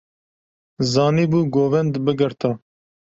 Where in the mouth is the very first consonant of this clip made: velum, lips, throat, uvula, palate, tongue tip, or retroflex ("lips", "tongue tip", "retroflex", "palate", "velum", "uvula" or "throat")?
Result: tongue tip